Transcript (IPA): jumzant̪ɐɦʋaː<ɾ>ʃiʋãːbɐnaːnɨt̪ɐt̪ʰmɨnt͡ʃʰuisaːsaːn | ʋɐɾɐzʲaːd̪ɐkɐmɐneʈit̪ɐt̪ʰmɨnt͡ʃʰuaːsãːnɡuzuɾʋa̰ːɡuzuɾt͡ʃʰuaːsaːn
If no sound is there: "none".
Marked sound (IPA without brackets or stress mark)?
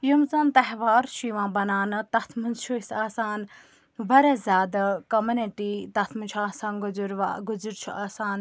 ɾ